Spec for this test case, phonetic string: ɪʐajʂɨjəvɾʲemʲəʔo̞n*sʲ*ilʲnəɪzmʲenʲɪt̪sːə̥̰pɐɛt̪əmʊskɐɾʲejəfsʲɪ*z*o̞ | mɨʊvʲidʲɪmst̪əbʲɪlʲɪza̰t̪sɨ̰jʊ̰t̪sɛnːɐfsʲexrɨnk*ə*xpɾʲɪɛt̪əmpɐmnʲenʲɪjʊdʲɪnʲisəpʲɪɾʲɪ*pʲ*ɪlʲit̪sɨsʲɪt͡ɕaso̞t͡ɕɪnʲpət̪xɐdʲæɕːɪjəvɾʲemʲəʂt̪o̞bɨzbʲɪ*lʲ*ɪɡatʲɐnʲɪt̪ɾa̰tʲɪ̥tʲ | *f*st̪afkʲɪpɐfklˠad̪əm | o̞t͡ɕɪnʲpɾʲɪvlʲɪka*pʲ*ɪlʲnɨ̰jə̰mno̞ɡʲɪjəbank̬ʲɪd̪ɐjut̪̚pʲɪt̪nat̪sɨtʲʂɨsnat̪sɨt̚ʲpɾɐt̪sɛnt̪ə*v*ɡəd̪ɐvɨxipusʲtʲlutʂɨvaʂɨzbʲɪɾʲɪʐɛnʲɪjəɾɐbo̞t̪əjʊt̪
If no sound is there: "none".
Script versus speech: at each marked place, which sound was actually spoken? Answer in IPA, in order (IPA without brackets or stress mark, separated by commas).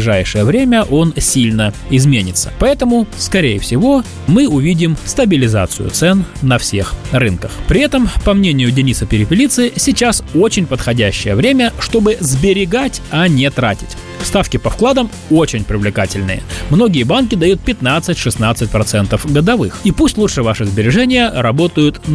sʲ, v, ə, pʲ, ɾʲ, f, tʲ, f